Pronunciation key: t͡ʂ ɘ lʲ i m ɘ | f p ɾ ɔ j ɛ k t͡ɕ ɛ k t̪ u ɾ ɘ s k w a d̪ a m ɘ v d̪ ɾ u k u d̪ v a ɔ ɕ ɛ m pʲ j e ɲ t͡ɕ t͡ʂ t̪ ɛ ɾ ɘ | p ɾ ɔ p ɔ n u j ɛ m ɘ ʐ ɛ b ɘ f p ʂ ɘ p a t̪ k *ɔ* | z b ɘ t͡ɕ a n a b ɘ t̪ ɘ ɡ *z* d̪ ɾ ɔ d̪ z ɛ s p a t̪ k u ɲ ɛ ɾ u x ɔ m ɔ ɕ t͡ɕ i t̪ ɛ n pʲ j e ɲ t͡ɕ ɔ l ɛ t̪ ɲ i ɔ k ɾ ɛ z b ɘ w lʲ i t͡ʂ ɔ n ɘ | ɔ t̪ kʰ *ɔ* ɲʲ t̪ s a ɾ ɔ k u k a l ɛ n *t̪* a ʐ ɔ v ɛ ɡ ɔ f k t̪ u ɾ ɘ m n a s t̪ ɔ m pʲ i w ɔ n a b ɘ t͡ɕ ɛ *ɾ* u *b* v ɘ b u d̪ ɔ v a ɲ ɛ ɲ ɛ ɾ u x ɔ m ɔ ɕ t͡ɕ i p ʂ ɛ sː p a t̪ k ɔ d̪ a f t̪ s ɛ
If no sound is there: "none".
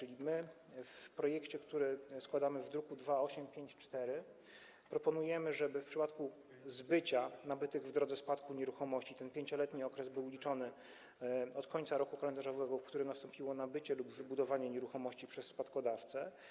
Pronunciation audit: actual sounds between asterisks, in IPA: u, v, ɔ, d̪, l, b

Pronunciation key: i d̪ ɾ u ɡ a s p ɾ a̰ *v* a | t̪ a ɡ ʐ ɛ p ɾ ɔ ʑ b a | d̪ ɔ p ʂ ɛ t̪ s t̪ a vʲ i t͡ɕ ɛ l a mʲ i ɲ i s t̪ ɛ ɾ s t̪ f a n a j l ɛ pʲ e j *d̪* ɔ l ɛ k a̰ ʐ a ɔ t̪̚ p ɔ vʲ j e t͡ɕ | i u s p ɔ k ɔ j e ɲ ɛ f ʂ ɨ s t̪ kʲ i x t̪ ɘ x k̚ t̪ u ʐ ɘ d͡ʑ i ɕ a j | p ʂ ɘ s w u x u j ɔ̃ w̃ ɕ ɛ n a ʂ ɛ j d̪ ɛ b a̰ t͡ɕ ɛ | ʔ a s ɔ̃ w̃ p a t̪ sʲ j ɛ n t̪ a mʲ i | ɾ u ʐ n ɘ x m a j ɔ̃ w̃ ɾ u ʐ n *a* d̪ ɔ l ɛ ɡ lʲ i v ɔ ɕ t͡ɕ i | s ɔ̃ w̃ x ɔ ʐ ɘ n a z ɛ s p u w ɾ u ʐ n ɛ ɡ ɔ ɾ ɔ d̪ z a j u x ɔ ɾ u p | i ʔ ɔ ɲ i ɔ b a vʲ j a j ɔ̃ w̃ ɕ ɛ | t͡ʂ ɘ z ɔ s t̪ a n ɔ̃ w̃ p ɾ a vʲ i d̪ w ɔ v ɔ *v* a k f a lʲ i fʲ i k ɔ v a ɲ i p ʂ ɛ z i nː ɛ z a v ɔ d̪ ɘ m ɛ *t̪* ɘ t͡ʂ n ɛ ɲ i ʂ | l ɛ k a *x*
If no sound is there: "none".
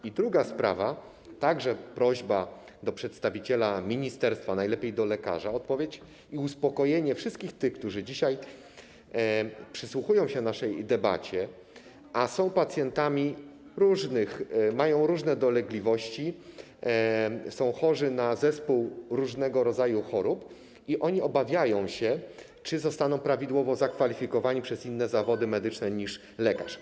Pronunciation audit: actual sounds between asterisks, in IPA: v, d̪, ɛ, z, d̪, ʂ

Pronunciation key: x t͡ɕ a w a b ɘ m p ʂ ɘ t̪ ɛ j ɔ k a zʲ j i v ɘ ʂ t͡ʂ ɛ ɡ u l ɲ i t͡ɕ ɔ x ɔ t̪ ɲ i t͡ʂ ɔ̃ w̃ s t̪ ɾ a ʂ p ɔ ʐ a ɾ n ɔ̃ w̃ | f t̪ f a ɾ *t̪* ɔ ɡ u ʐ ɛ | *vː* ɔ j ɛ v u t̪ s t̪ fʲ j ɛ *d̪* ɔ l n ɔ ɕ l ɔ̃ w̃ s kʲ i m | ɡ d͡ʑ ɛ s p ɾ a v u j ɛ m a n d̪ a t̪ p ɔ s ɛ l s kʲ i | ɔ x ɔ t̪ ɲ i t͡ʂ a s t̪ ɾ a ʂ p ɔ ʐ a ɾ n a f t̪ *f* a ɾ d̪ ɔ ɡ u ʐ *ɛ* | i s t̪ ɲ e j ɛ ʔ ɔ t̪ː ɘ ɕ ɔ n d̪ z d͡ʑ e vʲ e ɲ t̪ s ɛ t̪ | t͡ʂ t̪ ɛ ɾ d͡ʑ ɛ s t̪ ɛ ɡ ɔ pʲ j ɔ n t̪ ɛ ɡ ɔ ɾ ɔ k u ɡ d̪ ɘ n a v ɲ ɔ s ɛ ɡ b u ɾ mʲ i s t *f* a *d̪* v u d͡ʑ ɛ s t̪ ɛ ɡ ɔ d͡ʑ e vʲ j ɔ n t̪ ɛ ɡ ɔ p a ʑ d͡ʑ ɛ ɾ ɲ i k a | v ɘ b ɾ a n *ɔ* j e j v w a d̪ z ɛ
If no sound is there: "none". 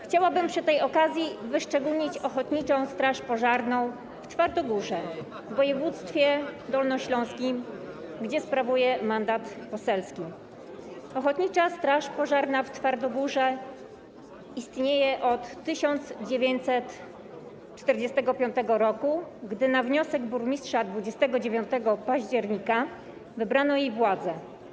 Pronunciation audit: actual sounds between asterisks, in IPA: d̪, vː, d̪, f, ɛ, ʂ, d̪, ɔ

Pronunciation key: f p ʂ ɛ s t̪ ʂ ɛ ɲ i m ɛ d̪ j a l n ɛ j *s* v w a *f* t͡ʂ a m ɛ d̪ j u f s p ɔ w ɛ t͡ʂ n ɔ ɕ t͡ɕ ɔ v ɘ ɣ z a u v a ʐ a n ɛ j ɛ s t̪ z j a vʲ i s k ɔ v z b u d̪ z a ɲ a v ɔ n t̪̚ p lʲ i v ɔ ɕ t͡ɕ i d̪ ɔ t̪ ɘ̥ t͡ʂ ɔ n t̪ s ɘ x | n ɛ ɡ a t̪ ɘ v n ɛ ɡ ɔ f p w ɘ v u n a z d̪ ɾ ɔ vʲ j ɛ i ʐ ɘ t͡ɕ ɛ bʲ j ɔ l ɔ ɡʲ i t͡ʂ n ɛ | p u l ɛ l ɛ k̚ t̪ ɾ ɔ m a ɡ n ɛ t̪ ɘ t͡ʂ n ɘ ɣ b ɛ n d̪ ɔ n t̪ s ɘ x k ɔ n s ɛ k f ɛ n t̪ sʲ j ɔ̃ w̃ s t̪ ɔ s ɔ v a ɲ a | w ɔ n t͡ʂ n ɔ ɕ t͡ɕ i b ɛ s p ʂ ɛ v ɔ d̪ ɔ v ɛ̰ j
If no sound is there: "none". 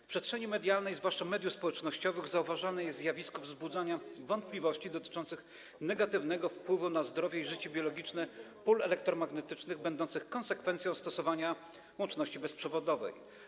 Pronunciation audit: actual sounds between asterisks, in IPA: z, ʂ

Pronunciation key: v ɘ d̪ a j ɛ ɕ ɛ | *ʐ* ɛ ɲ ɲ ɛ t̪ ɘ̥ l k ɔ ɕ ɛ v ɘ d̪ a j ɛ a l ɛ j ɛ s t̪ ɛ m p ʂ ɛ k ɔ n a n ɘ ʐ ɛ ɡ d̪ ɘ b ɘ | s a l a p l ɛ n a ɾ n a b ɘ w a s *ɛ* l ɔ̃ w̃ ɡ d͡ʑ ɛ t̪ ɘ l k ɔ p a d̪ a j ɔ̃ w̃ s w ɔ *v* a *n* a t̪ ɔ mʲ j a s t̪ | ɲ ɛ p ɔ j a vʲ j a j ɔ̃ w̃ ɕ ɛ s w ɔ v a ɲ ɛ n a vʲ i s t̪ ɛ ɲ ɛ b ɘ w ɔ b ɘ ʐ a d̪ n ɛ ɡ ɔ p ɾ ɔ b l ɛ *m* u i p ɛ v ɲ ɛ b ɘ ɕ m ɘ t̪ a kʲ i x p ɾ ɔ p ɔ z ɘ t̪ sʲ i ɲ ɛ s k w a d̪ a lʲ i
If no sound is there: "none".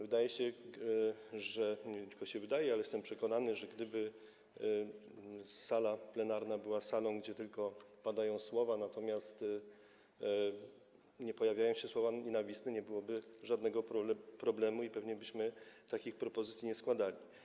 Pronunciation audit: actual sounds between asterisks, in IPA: ʐ, a, v, n, m

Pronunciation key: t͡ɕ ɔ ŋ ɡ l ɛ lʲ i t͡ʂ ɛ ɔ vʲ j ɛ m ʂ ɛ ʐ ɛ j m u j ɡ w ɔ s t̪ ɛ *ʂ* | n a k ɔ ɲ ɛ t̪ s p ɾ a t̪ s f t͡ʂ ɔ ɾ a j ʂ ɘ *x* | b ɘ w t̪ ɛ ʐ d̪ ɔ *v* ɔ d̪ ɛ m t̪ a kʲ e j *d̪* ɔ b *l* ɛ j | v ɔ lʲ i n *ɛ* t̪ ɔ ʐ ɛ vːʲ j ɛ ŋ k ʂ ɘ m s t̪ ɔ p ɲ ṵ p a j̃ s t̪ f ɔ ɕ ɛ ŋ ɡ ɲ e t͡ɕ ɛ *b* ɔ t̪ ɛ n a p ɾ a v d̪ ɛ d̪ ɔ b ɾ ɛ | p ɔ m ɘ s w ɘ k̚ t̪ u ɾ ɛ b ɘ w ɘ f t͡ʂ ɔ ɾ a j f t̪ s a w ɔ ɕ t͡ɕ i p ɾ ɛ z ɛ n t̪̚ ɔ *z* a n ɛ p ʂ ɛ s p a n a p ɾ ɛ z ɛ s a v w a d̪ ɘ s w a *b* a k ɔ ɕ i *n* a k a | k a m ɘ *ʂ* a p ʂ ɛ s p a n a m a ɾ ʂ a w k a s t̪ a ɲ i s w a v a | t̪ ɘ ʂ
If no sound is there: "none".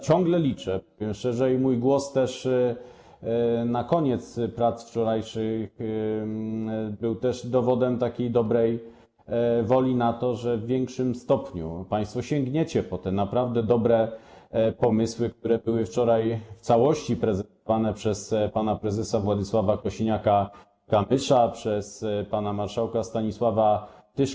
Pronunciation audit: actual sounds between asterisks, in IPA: ʂ, x, v, d̪, ɾ, a, p, v, v, ɲ, ʂ

